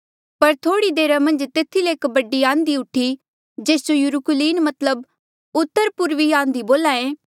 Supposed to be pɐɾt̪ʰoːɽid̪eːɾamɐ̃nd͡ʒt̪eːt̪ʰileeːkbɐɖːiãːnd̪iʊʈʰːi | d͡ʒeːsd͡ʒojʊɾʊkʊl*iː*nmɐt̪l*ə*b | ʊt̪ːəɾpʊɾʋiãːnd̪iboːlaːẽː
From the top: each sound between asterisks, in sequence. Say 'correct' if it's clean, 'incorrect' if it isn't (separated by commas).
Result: correct, correct